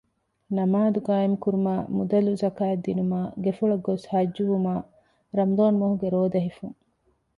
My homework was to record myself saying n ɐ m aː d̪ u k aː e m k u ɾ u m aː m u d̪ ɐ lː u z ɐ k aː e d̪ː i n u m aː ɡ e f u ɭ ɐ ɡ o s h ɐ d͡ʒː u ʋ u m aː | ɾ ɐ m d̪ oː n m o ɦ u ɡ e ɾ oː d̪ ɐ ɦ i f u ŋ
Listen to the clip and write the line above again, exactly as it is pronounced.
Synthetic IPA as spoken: n ɐ m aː d̪ u ɡ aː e m k u ɾ u m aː m u d̪ ɐ l u z ɐ k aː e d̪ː i n u m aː ɡ e f u ɭ ɐ ɡ o s h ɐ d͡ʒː u ʋ u m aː | ɾ ɐ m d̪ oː n m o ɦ u ɡ e ɾ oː d̪ ɐ ɦ i f u ŋ